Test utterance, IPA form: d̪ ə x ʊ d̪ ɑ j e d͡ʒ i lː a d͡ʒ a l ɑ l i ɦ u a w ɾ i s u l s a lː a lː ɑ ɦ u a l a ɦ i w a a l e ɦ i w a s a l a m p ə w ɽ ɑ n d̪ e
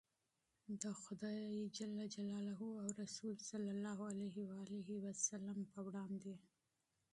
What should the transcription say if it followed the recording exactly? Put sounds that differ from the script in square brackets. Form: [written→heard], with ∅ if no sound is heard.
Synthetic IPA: d̪ ə x ʊ d̪ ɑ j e d͡ʒ [i→a] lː a d͡ʒ a l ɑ l [i→a] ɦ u a w ɾ [i→a] s u l s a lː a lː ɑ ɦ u a l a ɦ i w a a l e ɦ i w a s a l a m p ə w ɽ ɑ n d̪ e

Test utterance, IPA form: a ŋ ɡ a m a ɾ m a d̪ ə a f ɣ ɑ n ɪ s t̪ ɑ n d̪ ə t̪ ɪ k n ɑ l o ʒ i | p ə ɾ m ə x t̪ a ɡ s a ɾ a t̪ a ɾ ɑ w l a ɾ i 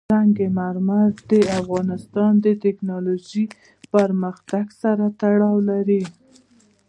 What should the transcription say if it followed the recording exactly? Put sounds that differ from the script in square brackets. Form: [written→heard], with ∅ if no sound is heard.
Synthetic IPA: a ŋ ɡ [a→e] m a ɾ m a d̪ ə a f ɣ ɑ n ɪ s t̪ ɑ n d̪ ə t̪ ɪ k n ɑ l o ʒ i | p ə ɾ m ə x t̪ a ɡ s a ɾ a t̪ a [ɾ→ɽ] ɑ w l a ɾ i

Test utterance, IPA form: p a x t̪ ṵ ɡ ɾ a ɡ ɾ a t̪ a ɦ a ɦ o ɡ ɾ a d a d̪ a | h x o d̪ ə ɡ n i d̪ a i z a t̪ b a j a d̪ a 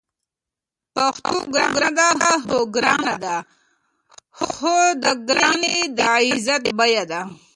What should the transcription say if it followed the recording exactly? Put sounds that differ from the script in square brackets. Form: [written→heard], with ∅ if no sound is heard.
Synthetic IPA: p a x t̪ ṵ ɡ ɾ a ɡ ɾ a [t̪→d̪] a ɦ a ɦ o ɡ ɾ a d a d̪ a | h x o d̪ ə ɡ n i d̪ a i z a t̪ b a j a d̪ a

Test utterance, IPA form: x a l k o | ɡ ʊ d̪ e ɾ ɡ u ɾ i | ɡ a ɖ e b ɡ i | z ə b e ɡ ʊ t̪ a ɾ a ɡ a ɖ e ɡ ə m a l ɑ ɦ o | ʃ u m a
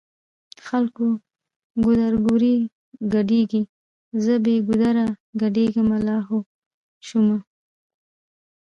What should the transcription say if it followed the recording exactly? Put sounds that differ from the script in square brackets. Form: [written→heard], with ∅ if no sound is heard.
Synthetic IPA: x a l k o | ɡ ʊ d̪ [e→a] ɾ ɡ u ɾ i | ɡ a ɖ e [b→∅] ɡ i | z ə b e ɡ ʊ [t̪→d̪] a ɾ a ɡ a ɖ e ɡ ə m a l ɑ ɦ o | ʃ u m a

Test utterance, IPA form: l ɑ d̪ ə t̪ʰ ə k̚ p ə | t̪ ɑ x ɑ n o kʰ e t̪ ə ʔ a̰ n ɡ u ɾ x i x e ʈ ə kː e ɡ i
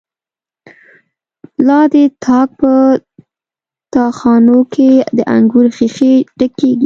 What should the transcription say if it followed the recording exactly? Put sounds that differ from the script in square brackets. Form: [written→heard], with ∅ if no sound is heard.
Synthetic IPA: l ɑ d̪ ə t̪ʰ [ə→ɑ] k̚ p ə | t̪ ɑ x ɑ n o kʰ e [t̪→d̪] ə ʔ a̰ [n→ŋ] ɡ u ɾ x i x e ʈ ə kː e ɡ i

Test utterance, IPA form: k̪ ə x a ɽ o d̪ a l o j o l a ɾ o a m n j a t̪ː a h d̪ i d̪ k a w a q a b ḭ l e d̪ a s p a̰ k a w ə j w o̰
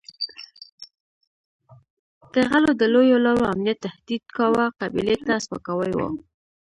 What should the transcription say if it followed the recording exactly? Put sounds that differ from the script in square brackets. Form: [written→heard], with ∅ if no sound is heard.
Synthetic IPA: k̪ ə [x→ɣ] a [ɽ→l] o d̪ [a→ə] l o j o l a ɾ o a m n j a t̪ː a h d̪ i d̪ k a w a q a b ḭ l e [d̪→t̪] a s p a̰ k a w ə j w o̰

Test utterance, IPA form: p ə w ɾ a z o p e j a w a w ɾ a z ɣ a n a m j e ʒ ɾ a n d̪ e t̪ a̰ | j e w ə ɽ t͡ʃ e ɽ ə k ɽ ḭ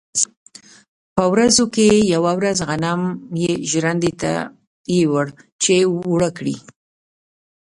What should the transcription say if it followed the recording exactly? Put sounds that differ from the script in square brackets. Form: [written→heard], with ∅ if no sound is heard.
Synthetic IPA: p ə w ɾ a z o [p→k] e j a w a w ɾ a z ɣ a n a m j e ʒ ɾ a n d̪ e t̪ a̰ | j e w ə ɽ t͡ʃ e ɽ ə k ɽ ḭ

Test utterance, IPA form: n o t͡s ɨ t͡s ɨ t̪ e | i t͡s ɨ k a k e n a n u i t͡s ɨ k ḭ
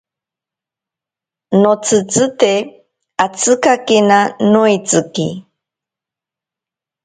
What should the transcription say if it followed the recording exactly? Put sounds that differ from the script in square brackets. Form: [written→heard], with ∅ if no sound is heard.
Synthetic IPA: n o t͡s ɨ t͡s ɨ t̪ e | [i→a] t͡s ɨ k a k e n a n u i t͡s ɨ k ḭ

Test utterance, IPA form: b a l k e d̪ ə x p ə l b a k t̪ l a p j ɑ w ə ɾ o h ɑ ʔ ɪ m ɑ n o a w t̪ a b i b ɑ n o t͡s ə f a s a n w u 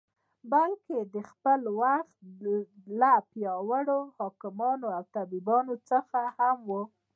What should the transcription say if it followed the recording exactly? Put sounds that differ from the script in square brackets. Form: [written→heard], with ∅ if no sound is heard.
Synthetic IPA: b a l k e d̪ ə x p ə l [b→w] a [k→x] t̪ l a p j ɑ w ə [ɾ→ɽ] o h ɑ [ʔ→k] ɪ m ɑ n o a w t̪ a b i b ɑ n o t͡s ə [f→x] a [s→h] a [n→m] w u

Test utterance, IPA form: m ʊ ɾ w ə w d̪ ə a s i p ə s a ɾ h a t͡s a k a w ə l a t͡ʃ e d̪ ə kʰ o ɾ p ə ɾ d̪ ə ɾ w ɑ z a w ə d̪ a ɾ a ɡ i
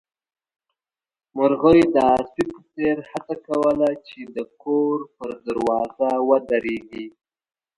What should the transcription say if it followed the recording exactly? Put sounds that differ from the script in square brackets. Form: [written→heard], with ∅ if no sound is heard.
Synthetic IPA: m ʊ ɾ [w→ɣ] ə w d̪ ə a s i p ə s [a→e] ɾ h a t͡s a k a w ə l a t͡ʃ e d̪ ə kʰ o ɾ p ə ɾ d̪ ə ɾ w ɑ z a w ə d̪ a ɾ [a→e] ɡ i

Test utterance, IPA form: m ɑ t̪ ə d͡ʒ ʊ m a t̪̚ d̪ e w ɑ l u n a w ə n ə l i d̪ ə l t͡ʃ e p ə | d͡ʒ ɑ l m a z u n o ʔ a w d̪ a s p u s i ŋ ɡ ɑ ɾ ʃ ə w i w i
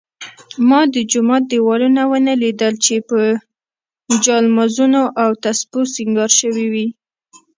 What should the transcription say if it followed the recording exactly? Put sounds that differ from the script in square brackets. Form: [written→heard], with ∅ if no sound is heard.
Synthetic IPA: m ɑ [t̪→d̪] ə d͡ʒ ʊ m [a→ɑ] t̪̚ d̪ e w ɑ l u n a w ə n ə l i d̪ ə l t͡ʃ e p ə | d͡ʒ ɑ l m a z u n o ʔ a w [d̪→t̪] a s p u s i ŋ ɡ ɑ ɾ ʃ ə w i w i

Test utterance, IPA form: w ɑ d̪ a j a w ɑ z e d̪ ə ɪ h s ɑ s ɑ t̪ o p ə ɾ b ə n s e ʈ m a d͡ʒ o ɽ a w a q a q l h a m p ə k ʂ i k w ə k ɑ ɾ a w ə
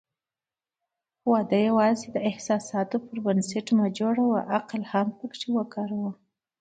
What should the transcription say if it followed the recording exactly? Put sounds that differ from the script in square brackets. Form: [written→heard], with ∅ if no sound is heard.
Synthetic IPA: w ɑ d̪ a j a w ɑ z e d̪ ə ɪ h s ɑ s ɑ t̪ o p ə ɾ b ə n s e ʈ m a d͡ʒ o ɽ a w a [q→ʔ] a q l h a m p ə k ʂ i [k→∅] w ə k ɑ ɾ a w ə

